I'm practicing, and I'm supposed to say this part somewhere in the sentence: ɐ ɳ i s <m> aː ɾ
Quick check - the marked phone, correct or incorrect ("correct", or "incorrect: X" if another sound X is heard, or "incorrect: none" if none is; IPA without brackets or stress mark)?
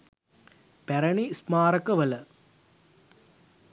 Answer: correct